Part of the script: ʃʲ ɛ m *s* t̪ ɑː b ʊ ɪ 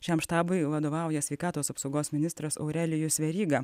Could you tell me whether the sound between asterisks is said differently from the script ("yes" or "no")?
yes